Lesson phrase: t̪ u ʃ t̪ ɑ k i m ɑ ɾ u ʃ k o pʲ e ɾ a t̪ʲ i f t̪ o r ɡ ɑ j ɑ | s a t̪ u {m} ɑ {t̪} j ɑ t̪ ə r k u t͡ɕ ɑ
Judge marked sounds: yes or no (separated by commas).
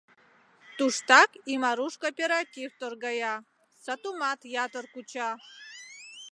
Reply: yes, yes